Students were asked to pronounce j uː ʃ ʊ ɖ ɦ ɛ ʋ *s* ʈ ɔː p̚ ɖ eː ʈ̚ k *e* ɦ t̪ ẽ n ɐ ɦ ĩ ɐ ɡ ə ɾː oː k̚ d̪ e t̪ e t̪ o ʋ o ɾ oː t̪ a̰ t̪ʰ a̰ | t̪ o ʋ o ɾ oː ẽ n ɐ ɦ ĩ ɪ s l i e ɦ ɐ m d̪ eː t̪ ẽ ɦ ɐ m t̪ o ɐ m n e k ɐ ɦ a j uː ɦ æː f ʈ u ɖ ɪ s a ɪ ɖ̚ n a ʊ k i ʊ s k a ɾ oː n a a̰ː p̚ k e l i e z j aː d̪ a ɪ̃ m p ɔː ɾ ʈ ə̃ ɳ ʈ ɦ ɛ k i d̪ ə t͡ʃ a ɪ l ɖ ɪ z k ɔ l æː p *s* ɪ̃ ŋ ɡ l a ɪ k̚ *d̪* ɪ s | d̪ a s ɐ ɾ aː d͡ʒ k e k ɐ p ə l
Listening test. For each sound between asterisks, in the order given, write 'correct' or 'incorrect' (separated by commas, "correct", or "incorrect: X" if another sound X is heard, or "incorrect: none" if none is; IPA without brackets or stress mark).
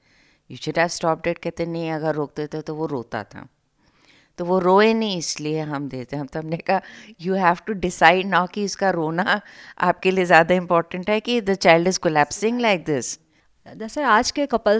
correct, incorrect: ɛ, correct, correct